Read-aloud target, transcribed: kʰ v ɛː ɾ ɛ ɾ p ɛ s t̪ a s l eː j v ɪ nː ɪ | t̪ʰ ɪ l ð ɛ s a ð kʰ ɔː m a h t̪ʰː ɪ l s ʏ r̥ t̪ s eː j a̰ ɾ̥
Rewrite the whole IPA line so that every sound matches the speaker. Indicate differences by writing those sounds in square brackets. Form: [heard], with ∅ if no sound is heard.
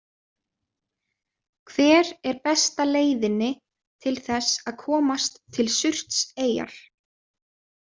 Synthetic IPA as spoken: kʰ v ɛː ɾ ɛ ɾ p ɛ s t̪ a [∅] l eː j [ð] ɪ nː ɪ | t̪ʰ ɪ l [θ] ɛ s a ð kʰ ɔː m a [s] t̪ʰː ɪ l s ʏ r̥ t̪ s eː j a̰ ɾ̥